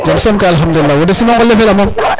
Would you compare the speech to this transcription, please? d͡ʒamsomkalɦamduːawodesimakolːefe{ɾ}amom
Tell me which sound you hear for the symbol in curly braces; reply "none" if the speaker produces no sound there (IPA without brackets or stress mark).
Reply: l